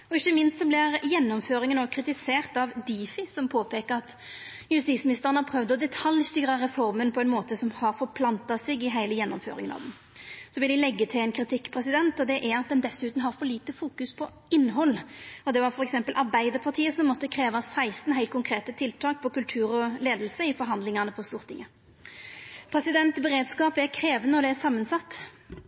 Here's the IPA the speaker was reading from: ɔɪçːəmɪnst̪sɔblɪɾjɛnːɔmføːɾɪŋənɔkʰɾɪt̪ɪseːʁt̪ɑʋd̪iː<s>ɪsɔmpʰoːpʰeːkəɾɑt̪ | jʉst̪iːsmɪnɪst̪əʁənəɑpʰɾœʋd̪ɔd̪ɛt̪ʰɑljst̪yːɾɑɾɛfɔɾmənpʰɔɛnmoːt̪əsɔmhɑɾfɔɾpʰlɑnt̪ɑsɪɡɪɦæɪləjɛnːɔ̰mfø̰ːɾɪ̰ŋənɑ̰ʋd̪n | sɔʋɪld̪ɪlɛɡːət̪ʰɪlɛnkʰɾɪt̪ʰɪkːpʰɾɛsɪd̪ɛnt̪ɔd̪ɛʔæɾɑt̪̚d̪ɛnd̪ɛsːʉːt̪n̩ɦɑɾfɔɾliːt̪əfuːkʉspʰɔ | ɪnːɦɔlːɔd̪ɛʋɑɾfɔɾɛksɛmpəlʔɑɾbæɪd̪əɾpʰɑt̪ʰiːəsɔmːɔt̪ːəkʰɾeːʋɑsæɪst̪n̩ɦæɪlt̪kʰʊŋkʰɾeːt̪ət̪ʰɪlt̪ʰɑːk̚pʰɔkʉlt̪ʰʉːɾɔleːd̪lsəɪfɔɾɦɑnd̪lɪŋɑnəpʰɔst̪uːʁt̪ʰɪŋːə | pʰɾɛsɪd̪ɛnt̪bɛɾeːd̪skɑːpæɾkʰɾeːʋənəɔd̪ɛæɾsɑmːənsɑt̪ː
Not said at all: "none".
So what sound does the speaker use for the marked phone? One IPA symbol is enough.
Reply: f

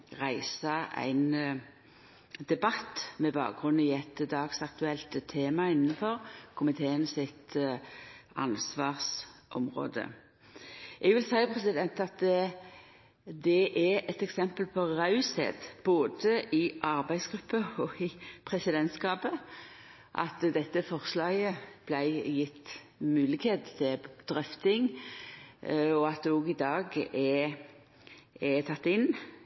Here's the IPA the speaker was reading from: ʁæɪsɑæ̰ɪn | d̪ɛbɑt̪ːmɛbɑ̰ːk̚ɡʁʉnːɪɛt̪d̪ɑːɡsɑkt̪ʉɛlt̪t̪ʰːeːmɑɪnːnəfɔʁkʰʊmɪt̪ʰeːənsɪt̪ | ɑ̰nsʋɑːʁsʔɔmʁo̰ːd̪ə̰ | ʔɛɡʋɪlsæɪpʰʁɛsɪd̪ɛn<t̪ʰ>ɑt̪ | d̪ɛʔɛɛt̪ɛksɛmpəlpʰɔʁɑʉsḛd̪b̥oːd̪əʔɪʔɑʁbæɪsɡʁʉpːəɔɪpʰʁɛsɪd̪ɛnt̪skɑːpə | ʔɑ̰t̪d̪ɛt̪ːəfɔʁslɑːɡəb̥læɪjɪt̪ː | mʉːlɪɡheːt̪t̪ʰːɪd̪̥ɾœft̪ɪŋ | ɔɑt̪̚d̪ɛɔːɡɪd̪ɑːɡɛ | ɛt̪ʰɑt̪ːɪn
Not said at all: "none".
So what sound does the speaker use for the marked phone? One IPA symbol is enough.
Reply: t̪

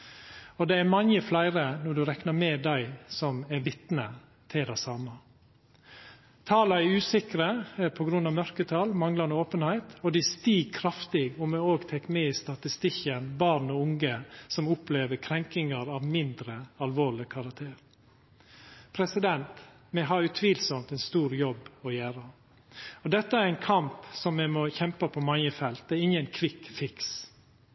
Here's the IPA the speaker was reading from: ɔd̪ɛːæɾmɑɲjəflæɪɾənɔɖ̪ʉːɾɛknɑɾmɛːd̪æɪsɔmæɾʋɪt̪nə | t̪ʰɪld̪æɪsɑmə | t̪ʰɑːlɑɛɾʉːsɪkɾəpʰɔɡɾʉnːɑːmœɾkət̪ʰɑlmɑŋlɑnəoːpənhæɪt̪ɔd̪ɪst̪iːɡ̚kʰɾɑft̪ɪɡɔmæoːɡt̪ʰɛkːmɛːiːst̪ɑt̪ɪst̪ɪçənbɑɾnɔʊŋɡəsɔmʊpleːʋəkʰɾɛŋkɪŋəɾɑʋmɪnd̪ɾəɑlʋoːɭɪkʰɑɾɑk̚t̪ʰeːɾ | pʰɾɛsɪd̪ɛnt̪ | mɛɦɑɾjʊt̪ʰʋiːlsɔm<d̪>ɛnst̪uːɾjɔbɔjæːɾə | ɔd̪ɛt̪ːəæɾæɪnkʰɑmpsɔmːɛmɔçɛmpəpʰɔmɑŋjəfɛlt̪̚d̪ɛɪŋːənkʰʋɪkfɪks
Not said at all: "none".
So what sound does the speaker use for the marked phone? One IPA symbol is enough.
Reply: t̪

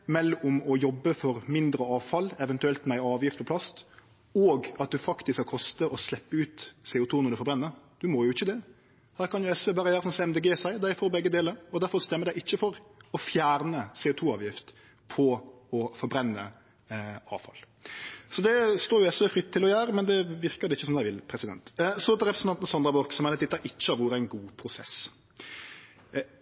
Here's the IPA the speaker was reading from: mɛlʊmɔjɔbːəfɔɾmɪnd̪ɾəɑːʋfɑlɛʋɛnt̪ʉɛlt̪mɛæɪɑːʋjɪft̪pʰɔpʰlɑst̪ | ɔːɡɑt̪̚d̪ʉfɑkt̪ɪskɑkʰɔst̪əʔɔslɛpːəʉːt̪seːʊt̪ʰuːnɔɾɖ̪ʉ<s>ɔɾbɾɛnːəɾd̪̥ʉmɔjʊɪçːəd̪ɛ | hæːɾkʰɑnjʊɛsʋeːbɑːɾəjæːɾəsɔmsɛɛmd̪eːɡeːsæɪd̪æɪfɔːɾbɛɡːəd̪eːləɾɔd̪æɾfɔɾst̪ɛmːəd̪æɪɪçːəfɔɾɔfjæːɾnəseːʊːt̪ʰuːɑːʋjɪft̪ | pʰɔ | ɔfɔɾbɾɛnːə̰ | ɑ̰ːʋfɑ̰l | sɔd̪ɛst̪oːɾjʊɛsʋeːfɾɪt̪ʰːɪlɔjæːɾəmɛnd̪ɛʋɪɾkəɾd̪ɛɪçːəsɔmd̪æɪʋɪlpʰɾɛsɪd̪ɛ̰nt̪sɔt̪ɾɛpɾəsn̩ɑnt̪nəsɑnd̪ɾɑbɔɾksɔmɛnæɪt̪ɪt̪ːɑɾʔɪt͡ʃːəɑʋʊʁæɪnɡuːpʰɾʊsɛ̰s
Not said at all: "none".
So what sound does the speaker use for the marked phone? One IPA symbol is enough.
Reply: f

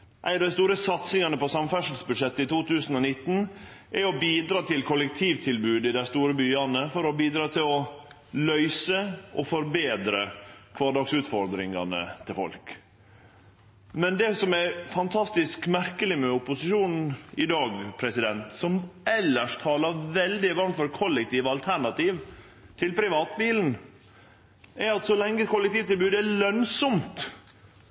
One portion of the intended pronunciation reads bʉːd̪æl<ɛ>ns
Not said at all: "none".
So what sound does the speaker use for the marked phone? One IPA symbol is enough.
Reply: œ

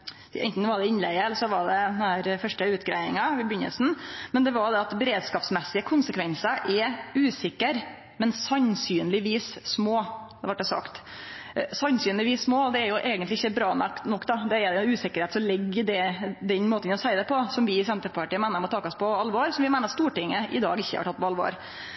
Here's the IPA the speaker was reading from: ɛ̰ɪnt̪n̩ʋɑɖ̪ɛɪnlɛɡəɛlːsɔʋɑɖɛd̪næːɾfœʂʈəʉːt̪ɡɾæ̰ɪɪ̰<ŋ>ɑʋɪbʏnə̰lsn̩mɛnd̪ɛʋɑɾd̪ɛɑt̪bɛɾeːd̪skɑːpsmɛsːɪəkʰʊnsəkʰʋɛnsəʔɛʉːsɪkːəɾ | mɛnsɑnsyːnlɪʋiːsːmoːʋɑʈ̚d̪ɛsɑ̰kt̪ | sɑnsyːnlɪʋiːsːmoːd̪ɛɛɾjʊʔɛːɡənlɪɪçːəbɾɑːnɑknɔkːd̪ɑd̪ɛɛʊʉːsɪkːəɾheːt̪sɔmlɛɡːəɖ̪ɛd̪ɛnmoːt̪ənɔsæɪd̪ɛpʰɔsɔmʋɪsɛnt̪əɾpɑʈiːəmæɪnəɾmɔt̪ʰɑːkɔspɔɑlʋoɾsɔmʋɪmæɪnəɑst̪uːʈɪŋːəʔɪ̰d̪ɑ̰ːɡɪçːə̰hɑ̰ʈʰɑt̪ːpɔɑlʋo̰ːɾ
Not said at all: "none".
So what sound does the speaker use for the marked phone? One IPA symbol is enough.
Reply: ŋ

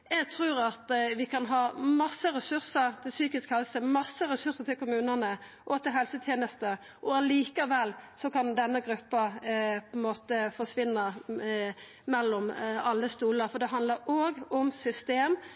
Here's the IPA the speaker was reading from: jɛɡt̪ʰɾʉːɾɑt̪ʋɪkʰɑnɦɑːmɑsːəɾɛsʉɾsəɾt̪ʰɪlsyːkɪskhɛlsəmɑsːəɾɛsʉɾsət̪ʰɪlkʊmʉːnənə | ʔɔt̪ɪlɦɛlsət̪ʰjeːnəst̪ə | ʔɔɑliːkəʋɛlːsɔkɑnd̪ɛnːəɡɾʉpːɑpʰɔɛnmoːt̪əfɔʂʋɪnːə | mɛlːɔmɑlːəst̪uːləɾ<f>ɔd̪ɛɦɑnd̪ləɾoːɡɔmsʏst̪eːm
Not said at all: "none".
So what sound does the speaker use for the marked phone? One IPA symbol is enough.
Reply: f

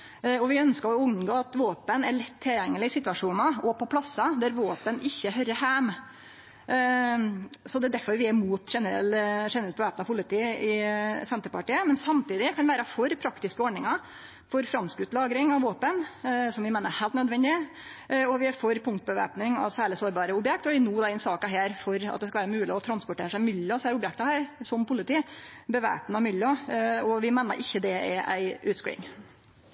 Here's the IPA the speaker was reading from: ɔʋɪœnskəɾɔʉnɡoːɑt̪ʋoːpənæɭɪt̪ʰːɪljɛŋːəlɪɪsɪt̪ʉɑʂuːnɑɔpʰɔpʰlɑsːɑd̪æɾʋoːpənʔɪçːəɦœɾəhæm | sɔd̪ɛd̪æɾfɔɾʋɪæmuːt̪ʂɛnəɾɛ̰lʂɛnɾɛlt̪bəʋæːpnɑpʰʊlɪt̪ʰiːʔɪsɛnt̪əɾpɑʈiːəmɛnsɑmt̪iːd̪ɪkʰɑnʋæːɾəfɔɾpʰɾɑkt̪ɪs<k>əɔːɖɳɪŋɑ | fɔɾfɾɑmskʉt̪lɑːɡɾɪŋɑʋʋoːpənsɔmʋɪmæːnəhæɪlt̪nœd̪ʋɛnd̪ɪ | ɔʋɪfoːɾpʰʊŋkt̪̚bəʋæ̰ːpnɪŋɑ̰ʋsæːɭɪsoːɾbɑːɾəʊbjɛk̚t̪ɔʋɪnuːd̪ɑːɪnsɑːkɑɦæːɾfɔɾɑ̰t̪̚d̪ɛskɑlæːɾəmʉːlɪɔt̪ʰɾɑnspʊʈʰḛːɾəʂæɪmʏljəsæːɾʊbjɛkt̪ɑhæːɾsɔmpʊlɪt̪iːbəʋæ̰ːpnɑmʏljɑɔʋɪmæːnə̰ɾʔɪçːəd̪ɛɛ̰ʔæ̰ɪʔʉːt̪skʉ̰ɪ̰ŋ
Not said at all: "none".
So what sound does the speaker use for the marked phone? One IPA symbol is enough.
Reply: k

